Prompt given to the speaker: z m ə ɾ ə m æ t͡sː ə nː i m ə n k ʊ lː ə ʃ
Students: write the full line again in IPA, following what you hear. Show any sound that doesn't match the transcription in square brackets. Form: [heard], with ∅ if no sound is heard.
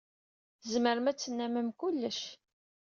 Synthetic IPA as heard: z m ə ɾ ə m æ t͡sː ə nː [æ] m ə [m] k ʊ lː ə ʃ